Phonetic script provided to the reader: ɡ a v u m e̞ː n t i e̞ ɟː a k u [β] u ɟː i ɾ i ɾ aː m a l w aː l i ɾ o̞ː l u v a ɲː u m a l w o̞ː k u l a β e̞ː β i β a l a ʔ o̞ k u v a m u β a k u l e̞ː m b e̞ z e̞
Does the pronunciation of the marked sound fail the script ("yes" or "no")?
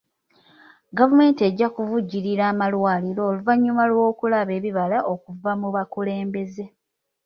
yes